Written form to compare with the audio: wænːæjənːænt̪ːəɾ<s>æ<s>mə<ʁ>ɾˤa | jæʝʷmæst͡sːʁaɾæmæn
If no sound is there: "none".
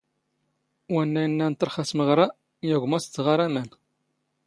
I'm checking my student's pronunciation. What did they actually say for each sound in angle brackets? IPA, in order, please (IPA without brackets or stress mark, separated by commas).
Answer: χ, s, ʁ